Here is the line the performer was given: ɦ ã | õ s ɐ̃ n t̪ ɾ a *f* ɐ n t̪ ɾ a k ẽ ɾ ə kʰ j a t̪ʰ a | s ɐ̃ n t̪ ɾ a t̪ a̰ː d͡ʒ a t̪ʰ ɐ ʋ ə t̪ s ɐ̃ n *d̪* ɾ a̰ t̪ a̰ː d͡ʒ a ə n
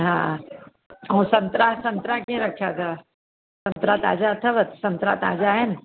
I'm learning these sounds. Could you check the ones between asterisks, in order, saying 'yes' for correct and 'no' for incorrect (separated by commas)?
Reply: no, no